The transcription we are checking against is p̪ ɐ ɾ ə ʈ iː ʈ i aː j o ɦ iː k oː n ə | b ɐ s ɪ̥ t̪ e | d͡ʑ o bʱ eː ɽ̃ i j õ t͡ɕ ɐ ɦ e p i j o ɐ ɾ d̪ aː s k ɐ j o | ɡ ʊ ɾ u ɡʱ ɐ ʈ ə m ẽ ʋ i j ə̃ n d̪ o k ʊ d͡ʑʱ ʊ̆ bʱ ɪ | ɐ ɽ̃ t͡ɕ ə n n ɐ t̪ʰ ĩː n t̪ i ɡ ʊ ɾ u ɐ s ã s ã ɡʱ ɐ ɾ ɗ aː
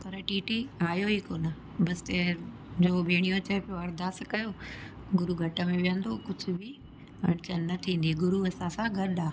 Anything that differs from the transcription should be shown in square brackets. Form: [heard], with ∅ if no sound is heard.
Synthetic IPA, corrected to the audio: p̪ ɐ ɾ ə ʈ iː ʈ i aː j o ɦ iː k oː n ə | b ɐ s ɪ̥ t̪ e | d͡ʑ o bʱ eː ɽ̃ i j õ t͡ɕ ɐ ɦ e p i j o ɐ ɾ d̪ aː s k ɐ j o | ɡ ʊ ɾ u ɡʱ ɐ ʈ ə m ẽ ʋ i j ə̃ n d̪ o k ʊ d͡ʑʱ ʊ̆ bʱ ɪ | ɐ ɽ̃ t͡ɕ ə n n ɐ t̪ʰ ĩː n [d̪] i ɡ ʊ ɾ u ɐ s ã s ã ɡʱ ɐ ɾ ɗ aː